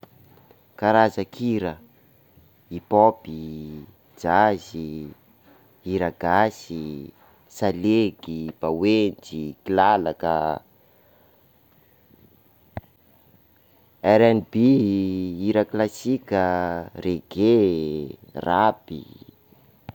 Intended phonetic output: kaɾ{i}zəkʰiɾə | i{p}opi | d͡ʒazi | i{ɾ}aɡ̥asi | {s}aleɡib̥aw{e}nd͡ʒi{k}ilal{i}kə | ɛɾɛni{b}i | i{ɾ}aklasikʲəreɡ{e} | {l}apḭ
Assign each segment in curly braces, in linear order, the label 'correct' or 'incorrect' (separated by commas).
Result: incorrect, correct, correct, correct, correct, correct, incorrect, correct, correct, correct, incorrect